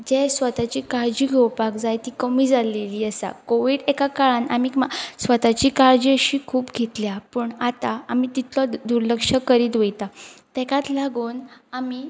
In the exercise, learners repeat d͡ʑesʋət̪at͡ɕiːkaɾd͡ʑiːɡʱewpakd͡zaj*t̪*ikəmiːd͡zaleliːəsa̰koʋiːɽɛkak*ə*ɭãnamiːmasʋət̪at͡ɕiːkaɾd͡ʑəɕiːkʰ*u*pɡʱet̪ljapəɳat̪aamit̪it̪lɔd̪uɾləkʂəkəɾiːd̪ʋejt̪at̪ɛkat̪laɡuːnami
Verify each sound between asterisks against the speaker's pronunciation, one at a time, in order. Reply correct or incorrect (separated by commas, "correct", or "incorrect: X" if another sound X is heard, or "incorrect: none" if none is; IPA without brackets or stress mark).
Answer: correct, incorrect: a, incorrect: uː